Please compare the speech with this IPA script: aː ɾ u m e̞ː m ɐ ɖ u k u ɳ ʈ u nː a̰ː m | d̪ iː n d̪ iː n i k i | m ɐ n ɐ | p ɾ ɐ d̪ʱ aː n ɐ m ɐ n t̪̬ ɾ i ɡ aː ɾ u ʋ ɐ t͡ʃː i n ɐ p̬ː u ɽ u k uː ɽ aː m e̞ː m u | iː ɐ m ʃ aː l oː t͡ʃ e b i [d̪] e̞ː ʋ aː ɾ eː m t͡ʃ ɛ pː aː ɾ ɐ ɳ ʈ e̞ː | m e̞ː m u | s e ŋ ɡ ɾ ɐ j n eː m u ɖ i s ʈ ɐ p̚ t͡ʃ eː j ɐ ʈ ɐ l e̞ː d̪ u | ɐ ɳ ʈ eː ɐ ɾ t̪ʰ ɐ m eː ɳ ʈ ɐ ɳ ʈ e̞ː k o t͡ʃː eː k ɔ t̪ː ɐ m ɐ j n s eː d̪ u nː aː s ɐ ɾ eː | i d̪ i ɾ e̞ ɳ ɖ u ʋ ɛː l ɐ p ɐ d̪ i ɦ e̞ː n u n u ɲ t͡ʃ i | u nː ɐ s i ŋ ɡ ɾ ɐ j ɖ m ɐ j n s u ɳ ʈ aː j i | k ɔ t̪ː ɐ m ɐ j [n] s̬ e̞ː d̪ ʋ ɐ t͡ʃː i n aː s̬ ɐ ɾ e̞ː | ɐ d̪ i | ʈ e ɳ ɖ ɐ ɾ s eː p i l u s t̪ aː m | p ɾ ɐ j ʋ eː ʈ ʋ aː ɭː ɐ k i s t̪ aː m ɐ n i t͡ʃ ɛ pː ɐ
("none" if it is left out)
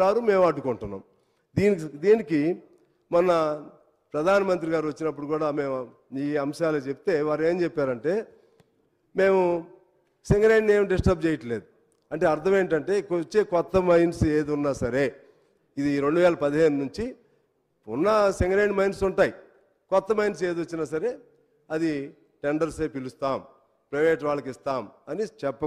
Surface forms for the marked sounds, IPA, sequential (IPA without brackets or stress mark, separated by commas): t̪, n